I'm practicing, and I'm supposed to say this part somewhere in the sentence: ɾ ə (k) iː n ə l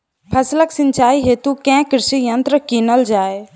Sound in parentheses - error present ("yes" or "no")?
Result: no